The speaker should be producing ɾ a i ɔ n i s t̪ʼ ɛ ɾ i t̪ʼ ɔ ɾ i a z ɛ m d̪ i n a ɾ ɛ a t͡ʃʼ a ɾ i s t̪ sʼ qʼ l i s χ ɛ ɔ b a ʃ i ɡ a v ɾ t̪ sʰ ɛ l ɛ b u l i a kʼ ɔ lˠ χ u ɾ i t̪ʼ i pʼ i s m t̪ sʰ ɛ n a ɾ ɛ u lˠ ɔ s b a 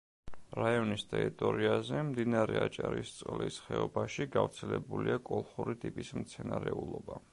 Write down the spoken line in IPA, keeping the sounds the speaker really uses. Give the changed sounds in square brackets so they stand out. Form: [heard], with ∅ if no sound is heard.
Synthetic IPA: ɾ a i ɔ n i s t̪ʼ ɛ ɾ i t̪ʼ ɔ ɾ i a z ɛ m d̪ i n a ɾ ɛ a t͡ʃʼ a ɾ i s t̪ sʼ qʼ l i s χ ɛ ɔ b a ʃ i ɡ a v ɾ t̪ sʰ ɛ l ɛ b u l i a kʼ ɔ lˠ χ u ɾ i t̪ʼ i pʼ i s m t̪ sʰ ɛ n a ɾ ɛ u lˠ ɔ [∅] b a